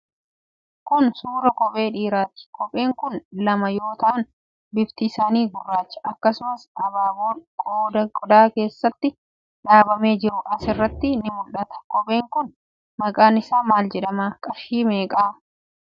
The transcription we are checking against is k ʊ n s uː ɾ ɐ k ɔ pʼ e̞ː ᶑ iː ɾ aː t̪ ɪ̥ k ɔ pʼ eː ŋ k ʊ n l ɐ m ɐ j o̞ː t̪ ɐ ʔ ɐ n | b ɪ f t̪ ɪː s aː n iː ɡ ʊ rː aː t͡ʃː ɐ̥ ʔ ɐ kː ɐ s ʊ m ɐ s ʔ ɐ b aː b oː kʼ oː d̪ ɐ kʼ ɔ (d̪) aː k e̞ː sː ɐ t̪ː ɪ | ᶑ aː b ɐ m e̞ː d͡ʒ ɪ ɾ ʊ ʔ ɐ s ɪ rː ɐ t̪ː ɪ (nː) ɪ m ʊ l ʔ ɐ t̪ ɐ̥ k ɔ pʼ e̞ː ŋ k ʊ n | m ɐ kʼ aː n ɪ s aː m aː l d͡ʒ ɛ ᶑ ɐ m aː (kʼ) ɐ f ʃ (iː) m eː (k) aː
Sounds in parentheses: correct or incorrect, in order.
correct, incorrect, correct, correct, incorrect

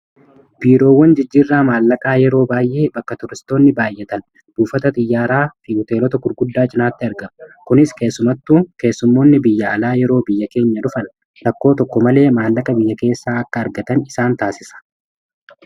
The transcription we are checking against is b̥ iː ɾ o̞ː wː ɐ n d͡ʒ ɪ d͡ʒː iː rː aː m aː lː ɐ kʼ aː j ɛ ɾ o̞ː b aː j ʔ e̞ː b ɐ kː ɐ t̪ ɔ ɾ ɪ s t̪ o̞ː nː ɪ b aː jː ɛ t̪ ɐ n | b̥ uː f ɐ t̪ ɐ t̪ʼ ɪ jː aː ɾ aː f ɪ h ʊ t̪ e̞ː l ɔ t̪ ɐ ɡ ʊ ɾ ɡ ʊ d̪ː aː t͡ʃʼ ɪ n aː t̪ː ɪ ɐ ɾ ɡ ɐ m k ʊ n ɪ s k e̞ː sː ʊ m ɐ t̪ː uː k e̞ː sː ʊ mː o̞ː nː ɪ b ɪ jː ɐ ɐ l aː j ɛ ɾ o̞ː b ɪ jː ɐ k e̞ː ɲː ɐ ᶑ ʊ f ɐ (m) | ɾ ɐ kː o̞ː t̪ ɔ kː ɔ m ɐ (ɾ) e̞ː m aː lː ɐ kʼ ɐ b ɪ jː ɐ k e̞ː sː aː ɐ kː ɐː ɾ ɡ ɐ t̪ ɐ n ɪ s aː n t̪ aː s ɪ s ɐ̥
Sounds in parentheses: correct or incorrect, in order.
incorrect, incorrect

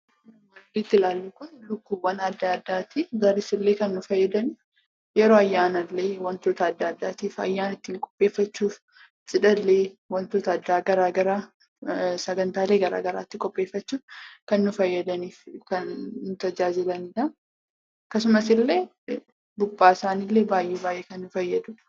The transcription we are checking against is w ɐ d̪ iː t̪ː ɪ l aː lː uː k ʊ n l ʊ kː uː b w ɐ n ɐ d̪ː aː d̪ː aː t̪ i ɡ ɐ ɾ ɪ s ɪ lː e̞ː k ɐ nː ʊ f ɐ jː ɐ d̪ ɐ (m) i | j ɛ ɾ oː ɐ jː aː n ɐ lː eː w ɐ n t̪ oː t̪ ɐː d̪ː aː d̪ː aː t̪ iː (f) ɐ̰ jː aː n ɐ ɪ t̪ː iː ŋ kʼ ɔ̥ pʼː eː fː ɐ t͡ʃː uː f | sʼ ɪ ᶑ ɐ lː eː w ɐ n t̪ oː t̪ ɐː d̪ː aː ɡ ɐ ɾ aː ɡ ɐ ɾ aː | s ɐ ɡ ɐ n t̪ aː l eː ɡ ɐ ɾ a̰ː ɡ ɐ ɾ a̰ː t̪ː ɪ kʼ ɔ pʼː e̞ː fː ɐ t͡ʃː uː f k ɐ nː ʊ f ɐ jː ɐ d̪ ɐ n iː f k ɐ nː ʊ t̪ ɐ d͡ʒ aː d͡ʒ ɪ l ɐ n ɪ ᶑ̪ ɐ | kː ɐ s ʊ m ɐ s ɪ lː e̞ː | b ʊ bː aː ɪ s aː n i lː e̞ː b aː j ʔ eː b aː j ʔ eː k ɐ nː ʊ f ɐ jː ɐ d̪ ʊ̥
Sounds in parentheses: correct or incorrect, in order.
incorrect, correct

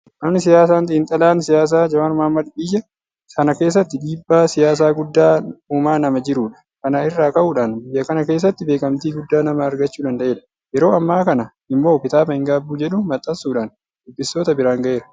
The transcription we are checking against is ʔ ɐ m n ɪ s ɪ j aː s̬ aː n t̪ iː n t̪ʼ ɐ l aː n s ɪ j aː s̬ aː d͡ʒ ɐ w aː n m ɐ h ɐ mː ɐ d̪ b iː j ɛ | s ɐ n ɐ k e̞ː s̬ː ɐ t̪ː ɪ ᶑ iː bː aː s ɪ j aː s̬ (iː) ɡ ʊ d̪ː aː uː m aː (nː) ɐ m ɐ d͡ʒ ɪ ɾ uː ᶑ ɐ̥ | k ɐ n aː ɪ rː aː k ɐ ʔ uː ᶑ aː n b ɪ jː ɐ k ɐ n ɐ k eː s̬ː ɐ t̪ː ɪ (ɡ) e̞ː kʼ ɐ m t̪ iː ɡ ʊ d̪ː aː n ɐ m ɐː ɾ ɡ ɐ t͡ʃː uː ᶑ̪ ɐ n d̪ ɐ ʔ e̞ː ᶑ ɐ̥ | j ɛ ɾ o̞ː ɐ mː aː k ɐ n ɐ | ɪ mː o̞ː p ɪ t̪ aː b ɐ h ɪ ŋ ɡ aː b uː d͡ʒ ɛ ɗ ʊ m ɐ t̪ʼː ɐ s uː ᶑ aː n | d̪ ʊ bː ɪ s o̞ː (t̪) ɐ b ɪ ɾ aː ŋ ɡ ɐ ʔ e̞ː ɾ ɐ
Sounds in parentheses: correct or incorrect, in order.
incorrect, incorrect, incorrect, correct

